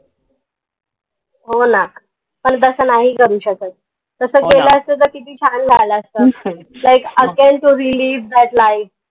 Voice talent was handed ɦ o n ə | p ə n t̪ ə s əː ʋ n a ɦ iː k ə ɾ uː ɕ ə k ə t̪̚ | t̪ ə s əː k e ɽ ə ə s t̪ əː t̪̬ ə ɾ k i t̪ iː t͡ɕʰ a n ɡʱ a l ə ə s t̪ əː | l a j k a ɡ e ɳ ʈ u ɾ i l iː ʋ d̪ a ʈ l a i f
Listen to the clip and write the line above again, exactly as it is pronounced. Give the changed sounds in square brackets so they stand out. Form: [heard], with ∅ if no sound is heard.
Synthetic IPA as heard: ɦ o n [a] | p ə [ɳ] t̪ ə s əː [∅] n a ɦ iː k ə ɾ uː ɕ ə k ə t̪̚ | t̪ ə s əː k e [l] ə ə s t̪ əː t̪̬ ə ɾ k i t̪ iː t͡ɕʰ a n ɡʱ a l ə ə s t̪ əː | l a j k [ə] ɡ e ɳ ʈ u ɾ i l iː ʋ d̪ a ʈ l a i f

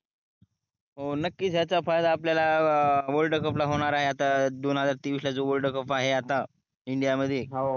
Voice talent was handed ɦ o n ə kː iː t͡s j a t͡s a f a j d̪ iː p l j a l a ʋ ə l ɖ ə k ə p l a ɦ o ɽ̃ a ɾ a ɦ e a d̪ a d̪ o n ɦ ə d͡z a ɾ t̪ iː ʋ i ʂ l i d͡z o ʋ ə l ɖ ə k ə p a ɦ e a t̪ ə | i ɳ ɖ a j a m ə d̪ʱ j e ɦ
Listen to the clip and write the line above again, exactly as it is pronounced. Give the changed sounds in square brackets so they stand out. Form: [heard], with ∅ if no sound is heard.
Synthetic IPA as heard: ɦ o n ə kː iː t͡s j a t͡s a f a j d̪ [aː] p l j a l a ʋ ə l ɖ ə k ə p l a ɦ o ɽ̃ a ɾ a ɦ e a [t̪] a d̪ o n ɦ ə d͡z a ɾ t̪ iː ʋ i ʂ l [a] d͡z o ʋ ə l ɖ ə k ə p a ɦ e a t̪ [a] | i ɳ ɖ [i] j a m ə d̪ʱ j e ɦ

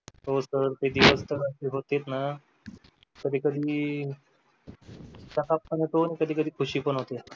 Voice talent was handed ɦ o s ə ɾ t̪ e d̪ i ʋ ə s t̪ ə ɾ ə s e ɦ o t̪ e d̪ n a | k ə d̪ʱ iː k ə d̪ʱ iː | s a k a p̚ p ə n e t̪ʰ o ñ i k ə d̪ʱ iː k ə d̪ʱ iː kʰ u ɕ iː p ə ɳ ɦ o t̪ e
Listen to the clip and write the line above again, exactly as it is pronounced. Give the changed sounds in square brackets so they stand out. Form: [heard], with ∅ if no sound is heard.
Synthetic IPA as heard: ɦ o s ə ɾ t̪ e d̪ i ʋ ə s t̪ ə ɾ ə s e ɦ o t̪ e [t̪] n a | k ə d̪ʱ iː k ə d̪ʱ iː | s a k a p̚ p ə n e [t̪] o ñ i k ə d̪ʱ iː k ə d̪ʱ iː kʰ u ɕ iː p ə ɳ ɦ o t̪ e

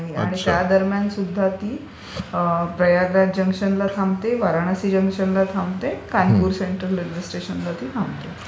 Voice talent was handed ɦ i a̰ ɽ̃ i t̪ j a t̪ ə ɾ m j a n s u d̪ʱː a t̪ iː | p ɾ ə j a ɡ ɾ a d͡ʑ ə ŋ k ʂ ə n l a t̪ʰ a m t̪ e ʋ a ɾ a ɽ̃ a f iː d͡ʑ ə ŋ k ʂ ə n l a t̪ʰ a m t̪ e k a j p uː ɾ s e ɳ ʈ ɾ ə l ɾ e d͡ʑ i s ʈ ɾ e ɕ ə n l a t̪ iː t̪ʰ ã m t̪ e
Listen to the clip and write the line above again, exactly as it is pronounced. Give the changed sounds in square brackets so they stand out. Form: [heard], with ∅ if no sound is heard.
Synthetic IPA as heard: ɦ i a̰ ɽ̃ i t̪ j a [d̪] ə ɾ m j a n s u d̪ʱː a t̪ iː | p ɾ ə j a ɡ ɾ a d͡ʑ ə ŋ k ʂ ə n l a t̪ʰ a m t̪ e ʋ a ɾ a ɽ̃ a [s] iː d͡ʑ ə ŋ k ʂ ə n l a t̪ʰ a m t̪ e k a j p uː ɾ s e ɳ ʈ ɾ ə l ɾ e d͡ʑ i s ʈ ɾ e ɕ ə n l a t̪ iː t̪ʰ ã m t̪ e

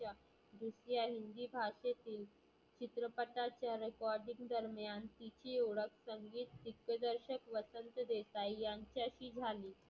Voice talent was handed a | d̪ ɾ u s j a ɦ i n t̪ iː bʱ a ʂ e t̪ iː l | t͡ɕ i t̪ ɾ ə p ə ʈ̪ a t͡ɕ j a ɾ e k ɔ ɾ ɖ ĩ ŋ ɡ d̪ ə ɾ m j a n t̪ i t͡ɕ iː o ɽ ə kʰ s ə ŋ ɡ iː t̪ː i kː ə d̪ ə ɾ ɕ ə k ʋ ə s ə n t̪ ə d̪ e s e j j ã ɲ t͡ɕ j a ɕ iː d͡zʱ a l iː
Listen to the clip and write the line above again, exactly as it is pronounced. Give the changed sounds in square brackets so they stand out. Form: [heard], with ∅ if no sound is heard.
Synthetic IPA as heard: a | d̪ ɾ u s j a ɦ i n [d̪] iː bʱ a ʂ e t̪ iː l | t͡ɕ i t̪ ɾ ə p ə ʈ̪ a t͡ɕ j a ɾ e k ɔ ɾ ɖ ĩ ŋ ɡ d̪ ə ɾ m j a n t̪ i t͡ɕ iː o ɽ ə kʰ s ə ŋ ɡ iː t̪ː i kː ə d̪ ə ɾ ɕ ə k ʋ ə s ə n t̪ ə d̪ e s [a] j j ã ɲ t͡ɕ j a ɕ iː d͡zʱ a l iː

